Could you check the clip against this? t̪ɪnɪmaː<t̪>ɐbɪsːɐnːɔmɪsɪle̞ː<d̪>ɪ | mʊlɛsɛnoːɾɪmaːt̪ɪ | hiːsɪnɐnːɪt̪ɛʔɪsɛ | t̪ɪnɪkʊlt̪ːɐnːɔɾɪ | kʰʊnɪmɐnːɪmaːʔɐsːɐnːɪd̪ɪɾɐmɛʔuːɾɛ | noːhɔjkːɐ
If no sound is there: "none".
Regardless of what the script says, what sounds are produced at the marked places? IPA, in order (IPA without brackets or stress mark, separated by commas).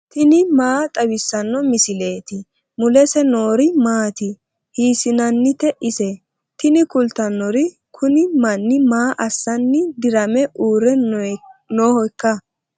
t̪ʼ, t̪